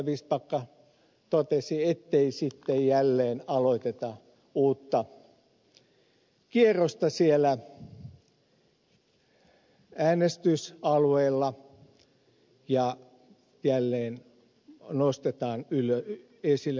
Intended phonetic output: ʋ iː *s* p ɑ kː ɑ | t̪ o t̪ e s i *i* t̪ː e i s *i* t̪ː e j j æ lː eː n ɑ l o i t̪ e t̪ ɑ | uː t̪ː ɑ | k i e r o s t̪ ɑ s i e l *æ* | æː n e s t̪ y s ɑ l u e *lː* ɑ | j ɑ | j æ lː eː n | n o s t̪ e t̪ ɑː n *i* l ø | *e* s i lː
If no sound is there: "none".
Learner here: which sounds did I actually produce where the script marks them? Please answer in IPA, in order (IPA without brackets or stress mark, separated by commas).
s, e, i, æ, lː, y, e